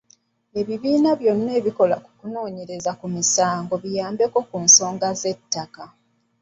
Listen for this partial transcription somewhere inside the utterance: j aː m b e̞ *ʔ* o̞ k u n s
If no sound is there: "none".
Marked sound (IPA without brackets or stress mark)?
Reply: k